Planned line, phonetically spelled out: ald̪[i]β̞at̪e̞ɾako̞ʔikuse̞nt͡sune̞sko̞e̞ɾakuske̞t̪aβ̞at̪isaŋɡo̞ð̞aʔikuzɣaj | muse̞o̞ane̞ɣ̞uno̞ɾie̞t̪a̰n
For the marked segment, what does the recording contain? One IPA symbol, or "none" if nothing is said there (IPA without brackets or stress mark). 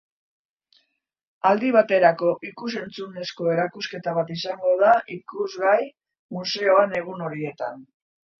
i